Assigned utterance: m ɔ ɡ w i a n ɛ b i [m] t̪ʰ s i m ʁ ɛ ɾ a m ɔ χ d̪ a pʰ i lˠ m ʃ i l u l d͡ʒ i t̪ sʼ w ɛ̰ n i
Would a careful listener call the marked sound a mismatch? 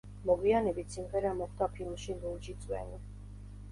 yes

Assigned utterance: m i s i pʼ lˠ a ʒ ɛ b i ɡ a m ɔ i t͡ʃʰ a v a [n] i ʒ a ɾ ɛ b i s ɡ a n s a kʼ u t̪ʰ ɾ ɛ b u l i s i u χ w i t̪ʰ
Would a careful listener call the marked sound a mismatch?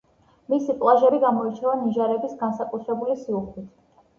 no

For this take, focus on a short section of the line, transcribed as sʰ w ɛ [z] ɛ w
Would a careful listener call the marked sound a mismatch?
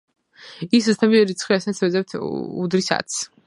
no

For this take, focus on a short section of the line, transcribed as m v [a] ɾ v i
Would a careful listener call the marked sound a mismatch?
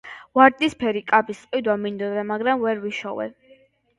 yes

